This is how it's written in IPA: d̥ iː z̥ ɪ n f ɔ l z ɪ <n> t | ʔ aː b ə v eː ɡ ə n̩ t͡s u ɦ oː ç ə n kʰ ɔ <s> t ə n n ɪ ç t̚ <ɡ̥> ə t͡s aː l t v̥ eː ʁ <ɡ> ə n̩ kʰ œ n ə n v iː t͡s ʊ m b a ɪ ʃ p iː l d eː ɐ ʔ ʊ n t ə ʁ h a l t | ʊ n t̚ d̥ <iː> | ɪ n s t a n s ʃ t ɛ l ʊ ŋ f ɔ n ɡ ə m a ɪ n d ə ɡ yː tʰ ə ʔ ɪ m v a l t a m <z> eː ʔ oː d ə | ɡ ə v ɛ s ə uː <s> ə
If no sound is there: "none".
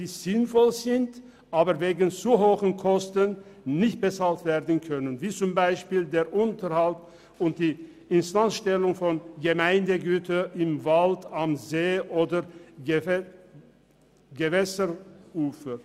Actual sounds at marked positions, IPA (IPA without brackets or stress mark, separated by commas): n, s, b̥, d, iː, z, f